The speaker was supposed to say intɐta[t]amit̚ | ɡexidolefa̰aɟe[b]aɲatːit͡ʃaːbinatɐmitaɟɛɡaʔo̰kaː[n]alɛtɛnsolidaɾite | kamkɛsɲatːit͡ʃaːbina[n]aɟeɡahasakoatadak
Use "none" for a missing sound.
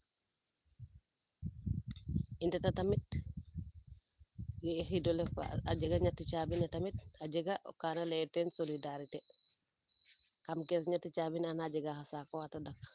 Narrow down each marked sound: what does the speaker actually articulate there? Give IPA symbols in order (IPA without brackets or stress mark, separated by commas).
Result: t, ɡ, n, n